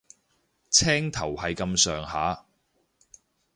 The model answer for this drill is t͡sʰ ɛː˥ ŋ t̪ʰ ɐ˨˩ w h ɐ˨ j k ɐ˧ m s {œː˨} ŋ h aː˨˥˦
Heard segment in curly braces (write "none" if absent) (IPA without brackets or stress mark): œː˨